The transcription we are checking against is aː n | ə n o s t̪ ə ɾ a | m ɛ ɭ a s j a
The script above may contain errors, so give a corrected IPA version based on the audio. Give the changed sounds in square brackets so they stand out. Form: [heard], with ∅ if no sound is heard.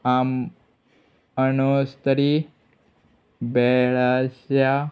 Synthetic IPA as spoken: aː [m] | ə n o s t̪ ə ɾ [i] | [b] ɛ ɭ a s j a